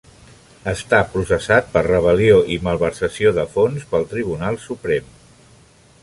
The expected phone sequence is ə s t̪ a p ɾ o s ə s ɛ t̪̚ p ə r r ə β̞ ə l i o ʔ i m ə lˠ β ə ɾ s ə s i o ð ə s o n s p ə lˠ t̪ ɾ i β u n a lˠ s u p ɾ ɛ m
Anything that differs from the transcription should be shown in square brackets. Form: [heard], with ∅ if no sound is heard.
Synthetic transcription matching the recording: ə s t̪ a p ɾ [u] s ə s [a] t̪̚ p ə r r ə β̞ ə l i o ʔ i m ə lˠ β ə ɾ s ə s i o ð ə [f] o n s p ə lˠ t̪ ɾ i β u n a lˠ s u p ɾ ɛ m